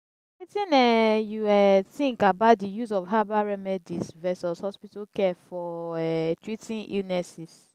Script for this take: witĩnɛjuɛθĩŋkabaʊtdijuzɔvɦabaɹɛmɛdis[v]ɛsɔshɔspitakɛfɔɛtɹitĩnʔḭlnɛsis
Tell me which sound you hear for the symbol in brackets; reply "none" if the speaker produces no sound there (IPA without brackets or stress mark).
v